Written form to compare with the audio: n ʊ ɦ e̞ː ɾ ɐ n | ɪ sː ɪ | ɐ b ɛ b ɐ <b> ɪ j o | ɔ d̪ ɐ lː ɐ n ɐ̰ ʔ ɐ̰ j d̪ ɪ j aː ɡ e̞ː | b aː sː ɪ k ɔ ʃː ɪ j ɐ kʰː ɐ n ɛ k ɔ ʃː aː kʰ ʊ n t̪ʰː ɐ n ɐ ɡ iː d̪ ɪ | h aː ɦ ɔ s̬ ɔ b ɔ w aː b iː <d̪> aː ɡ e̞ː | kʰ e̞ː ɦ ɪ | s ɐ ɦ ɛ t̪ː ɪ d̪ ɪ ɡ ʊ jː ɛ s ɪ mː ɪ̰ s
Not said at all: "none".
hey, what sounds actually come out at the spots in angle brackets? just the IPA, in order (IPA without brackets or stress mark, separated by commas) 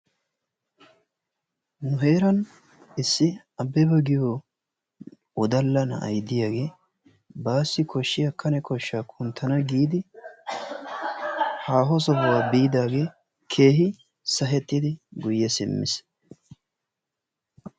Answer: ɡ, d̪